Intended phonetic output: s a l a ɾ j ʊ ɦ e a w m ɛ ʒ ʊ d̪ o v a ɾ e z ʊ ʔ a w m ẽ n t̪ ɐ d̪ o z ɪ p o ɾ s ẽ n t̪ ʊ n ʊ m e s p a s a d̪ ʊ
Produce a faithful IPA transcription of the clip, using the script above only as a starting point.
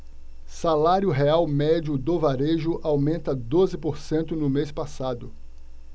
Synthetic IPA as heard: s a l a ɾ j ʊ ɦ e a w m ɛ d͡ʒ ʊ d̪ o v a ɾ e ʒ ʊ ʔ a w m ẽ n t̪ ɐ d̪ o z ɪ p o ɾ s ẽ n t̪ ʊ n ʊ m e s p a s a d̪ ʊ